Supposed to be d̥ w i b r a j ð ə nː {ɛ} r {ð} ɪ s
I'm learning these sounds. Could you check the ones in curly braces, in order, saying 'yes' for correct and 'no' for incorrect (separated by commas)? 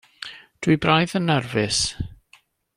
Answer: yes, no